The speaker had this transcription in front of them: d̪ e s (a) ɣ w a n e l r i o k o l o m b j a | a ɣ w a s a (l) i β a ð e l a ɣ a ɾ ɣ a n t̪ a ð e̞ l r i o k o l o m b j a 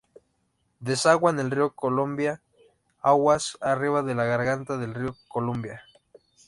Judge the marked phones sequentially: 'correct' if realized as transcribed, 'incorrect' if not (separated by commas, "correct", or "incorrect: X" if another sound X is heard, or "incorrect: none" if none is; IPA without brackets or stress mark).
correct, incorrect: r